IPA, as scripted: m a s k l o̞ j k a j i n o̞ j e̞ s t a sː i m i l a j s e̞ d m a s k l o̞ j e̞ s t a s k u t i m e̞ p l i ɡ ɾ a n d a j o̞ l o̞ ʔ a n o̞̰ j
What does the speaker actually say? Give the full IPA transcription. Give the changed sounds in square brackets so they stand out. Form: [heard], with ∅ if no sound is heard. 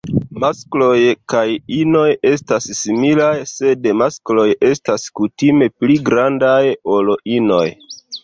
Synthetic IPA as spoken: m a s k l o̞ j k a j i n o̞ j e̞ s t a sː i m i l a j s e̞ d m a s k l o̞ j e̞ s t a s k u t i m e̞ p l i ɡ ɾ a n d a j o̞ l o̞ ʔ [i] n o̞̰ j